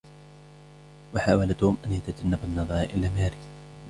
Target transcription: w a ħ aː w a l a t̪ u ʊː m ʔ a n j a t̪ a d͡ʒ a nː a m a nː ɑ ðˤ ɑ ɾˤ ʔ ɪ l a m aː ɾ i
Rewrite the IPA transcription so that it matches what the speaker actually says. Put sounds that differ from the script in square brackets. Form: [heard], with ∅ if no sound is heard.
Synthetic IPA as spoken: w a ħ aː w a l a t̪ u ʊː m ʔ a n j a t̪ a d͡ʒ a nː a [b] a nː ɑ ðˤ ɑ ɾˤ ʔ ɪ l a m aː ɾ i